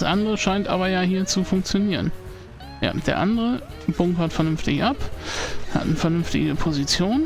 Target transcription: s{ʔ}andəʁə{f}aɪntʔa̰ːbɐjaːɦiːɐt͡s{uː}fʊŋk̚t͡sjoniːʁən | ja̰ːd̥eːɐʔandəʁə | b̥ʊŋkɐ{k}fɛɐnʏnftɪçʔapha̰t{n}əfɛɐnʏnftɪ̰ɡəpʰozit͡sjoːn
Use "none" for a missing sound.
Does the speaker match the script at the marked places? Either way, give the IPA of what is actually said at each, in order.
ʔ, ʃ, u, t, n

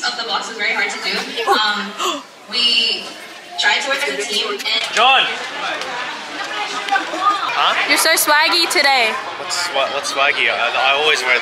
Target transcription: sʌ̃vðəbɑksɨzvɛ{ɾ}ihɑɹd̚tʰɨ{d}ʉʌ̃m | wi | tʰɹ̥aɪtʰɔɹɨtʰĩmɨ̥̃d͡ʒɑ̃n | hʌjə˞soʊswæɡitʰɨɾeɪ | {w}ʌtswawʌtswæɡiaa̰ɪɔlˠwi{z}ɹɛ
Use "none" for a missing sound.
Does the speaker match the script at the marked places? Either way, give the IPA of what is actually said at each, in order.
ɹ, d, w, z

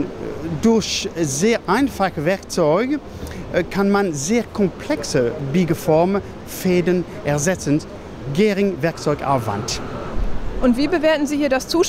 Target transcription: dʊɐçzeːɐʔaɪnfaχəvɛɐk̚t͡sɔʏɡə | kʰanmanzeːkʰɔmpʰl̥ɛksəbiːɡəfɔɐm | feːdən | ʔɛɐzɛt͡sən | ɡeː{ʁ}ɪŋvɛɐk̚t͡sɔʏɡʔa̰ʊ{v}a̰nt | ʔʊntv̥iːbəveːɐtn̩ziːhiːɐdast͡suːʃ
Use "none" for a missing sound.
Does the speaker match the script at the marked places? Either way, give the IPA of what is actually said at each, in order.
ʁ, v

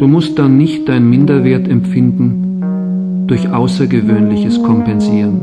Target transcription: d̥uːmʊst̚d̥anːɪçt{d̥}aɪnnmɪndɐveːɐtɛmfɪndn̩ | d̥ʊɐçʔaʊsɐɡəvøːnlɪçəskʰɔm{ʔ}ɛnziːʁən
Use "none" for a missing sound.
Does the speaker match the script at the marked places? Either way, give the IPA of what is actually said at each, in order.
d̥, p

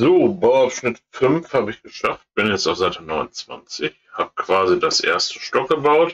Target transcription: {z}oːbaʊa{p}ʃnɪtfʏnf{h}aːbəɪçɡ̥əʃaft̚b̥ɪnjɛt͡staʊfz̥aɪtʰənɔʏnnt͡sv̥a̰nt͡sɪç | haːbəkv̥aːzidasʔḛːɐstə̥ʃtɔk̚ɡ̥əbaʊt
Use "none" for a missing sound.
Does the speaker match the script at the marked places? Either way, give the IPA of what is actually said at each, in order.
z, p, h

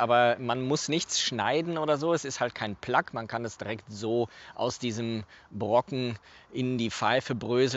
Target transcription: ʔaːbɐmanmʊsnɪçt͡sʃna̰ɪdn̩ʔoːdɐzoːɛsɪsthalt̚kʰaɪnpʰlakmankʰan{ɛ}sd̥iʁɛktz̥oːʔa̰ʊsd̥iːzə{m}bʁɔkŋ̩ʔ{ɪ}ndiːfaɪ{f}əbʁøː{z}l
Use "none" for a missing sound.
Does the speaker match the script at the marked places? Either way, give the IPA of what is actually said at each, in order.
ɛ, m, ɪ, f, z

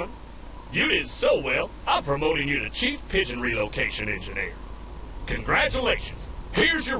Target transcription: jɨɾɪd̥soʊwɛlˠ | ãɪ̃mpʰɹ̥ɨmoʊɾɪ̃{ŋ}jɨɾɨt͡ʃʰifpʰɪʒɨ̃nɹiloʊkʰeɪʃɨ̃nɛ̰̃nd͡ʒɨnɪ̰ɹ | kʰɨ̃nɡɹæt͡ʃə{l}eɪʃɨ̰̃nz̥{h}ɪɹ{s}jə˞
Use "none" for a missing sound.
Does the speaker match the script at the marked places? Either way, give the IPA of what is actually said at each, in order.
ŋ, l, h, z

